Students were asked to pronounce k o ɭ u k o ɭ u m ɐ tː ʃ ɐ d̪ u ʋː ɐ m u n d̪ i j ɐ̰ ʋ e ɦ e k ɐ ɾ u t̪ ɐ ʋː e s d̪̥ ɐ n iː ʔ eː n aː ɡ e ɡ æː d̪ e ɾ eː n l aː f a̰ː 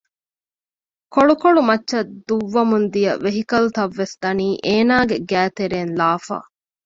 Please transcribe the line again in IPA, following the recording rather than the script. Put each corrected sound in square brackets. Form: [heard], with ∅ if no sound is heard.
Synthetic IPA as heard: k o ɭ u k o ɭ u m ɐ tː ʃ ɐ d̪ u ʋː ɐ m u n d̪ i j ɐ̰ ʋ e ɦ [i] k ɐ [l] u t̪ ɐ ʋː e s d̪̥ ɐ n iː ʔ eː n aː ɡ e ɡ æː [t̪] e ɾ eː n l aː f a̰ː